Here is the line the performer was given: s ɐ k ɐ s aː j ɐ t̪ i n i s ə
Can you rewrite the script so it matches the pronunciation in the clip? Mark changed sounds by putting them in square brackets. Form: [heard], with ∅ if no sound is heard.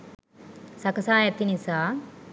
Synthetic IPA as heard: s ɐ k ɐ s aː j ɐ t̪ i n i s [a]